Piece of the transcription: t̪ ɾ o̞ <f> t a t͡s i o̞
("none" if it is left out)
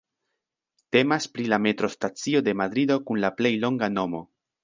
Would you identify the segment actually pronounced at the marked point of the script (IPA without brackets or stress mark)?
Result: s